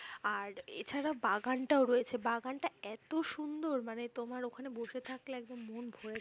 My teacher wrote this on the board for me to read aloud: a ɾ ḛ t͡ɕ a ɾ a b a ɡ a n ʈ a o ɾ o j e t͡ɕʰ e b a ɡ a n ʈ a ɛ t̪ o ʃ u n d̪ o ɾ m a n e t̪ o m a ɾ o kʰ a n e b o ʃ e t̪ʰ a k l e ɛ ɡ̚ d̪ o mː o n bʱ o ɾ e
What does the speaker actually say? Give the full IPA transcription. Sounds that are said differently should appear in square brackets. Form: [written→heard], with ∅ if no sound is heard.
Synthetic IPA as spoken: a ɾ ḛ [t͡ɕ→t͡ɕʰ] a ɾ a b a ɡ a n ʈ a o ɾ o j e t͡ɕʰ e b a ɡ a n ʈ a ɛ t̪ o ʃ u n d̪ o ɾ m a n e t̪ o m a ɾ o kʰ a n e b o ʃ e t̪ʰ a k l e ɛ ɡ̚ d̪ o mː o n bʱ o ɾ e